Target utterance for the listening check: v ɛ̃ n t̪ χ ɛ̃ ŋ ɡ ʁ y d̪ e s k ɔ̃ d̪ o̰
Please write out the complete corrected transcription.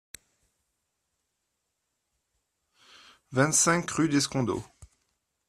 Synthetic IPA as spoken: v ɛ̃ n t̪ s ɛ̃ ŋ k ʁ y d̪ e s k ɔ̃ d̪ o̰